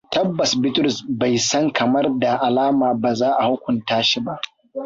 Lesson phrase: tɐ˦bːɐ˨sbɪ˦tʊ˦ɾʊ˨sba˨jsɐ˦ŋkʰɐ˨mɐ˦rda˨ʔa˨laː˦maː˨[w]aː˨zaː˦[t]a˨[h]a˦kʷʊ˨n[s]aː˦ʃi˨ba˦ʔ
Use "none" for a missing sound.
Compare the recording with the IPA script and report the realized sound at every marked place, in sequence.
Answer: b, ʔ, h, t

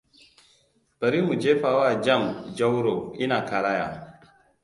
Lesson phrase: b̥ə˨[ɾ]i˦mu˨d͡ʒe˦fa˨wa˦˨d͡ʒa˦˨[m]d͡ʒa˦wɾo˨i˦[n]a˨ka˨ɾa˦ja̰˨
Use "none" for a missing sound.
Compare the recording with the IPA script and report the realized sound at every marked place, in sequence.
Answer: ɾ, m, n

